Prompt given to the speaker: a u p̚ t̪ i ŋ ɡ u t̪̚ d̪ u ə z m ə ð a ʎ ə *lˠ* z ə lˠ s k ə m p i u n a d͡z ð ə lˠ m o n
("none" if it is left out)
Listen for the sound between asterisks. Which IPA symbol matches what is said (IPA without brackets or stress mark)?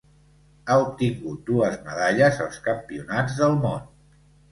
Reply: none